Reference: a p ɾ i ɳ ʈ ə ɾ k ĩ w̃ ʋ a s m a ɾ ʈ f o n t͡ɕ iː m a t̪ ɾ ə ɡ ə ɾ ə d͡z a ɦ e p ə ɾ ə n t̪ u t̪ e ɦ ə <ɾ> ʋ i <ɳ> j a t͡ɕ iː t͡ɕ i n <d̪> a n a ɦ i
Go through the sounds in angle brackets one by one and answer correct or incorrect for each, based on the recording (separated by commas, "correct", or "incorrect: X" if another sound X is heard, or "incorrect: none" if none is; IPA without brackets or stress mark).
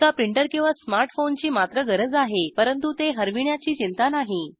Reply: correct, correct, incorrect: t̪